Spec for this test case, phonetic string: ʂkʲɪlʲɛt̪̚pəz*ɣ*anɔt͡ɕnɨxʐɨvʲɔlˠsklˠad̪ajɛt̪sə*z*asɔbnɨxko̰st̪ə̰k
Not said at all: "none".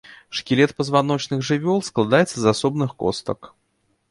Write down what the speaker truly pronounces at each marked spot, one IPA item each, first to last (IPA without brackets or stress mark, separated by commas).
v, z